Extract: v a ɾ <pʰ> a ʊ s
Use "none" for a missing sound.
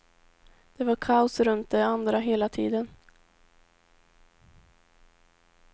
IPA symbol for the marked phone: kʰ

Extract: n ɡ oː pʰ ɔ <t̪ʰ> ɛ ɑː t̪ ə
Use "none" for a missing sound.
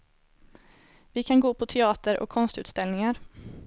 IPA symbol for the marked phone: t̪ʰ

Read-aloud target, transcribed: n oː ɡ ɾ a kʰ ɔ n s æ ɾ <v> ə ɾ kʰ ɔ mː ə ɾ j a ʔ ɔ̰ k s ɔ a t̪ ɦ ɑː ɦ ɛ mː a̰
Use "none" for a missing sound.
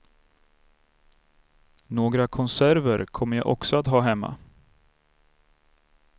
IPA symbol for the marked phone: v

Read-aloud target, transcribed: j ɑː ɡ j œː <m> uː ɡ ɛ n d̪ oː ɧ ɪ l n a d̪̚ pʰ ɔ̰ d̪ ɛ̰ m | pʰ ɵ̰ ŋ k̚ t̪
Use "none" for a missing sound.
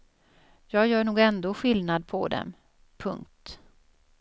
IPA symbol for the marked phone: ɳ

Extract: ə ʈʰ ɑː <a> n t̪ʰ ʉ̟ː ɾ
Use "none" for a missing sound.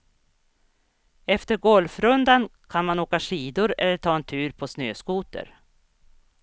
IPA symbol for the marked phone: ɛ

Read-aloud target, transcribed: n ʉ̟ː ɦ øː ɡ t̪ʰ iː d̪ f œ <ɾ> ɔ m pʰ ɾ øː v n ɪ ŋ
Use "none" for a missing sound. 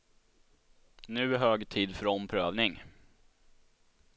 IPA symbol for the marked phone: ɾ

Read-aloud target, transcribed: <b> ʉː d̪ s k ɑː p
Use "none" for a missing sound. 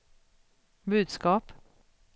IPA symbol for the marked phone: b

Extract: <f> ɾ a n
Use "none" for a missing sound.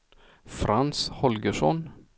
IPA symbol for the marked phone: f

